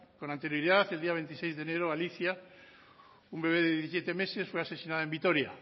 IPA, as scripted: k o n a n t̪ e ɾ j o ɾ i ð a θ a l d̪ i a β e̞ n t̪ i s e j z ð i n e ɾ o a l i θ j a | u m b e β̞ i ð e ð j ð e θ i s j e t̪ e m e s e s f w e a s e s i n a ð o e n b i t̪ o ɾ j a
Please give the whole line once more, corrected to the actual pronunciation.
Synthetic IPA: k o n a n t̪ e ɾ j o ɾ i ð a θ e l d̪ i a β e̞ n t̪ i s e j z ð e n e ɾ o a l i θ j a | u m b e β̞ e ð e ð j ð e θ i s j e t̪ e m e s e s f w e a s e s i n a ð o e m b i t̪ o ɾ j a